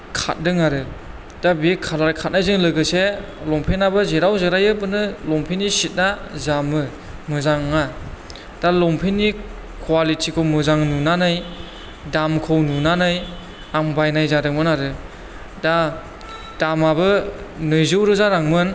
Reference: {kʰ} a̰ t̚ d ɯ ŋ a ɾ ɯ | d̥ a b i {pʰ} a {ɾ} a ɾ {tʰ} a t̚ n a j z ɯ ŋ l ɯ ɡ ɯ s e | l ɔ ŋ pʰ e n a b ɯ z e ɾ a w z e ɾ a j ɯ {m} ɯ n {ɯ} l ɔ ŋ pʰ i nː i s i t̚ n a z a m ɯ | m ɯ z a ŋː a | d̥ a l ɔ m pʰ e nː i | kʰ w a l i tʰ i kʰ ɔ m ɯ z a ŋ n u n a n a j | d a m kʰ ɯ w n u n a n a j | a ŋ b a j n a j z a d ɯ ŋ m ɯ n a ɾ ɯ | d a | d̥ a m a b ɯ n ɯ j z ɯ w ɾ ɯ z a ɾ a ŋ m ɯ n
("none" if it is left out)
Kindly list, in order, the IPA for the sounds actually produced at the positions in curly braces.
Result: kʰ, kʰ, l, kʰ, b, ɯ

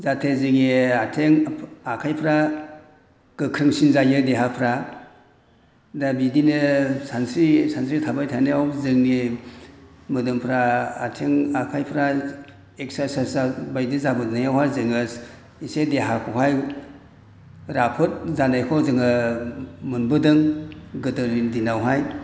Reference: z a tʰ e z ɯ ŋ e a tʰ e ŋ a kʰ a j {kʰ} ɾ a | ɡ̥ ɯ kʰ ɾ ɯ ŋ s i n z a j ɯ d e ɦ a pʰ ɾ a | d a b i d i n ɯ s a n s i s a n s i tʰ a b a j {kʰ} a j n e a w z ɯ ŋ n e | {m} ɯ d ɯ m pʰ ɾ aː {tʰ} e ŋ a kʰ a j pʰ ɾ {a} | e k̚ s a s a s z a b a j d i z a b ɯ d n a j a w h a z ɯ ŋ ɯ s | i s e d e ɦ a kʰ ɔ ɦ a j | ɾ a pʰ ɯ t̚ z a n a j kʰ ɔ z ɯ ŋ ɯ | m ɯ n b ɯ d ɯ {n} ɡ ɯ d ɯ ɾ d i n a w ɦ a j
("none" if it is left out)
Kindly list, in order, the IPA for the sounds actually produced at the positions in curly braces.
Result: pʰ, tʰ, m, tʰ, a, ŋ

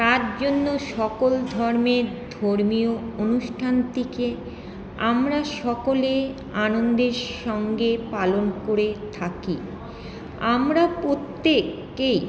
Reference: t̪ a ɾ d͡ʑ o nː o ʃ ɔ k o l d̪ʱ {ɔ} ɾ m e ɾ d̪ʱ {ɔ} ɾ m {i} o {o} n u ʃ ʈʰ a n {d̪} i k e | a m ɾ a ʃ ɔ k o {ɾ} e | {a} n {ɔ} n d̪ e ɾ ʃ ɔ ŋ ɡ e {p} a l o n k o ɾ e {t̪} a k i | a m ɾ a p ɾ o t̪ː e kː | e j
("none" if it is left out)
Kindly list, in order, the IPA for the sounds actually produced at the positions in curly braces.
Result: ɔ, o, i, o, t̪, l, a, o, p, t̪ʰ

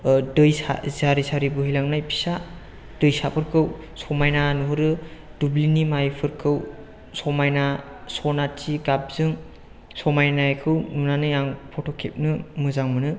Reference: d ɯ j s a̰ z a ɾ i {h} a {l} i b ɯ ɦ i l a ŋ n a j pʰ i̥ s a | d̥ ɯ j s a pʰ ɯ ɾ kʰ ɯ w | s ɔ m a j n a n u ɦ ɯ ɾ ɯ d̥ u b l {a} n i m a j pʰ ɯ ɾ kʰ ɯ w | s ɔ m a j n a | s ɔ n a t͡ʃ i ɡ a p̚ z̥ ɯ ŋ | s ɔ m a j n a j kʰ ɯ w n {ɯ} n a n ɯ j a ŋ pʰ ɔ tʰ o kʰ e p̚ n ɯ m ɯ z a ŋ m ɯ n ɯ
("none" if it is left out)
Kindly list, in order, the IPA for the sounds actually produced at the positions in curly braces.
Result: s, ɾ, i, u

